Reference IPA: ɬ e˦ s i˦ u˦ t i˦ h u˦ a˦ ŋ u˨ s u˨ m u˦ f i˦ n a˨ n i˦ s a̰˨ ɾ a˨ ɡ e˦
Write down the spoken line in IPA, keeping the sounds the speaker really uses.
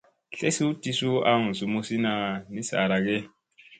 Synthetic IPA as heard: ɬ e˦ s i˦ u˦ t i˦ s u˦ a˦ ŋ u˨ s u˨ m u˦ s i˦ n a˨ n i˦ s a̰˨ ɾ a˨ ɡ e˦